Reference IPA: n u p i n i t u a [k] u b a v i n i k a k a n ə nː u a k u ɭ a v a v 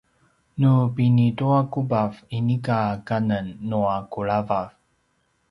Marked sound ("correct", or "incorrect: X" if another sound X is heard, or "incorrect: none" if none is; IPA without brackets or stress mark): correct